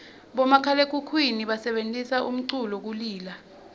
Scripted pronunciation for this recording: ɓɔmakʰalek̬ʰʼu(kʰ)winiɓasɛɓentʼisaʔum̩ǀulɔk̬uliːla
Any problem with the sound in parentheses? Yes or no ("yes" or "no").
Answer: no